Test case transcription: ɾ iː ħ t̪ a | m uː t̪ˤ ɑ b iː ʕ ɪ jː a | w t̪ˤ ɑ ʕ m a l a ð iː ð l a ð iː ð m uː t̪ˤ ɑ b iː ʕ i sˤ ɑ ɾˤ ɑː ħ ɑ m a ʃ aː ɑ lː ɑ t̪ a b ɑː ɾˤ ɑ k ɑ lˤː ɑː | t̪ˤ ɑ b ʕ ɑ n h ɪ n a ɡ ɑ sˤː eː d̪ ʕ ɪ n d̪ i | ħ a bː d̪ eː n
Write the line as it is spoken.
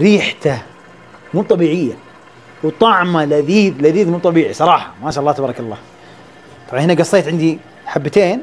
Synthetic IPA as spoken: ɾ iː ħ t̪ a | m uː t̪ˤ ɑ b iː ʕ ɪ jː a | w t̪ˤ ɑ ʕ m a l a ð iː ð l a ð iː ð m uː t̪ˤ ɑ b iː ʕ i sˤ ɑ ɾˤ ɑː ħ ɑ m a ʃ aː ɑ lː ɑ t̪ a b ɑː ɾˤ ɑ k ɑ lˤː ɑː | t̪ˤ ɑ b ʕ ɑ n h ɪ n a ɡ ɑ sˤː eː t̪ ʕ ɪ n d̪ i | ħ a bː t̪ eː n